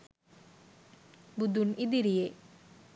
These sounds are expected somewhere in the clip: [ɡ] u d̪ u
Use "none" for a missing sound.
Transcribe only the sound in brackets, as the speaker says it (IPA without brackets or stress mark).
b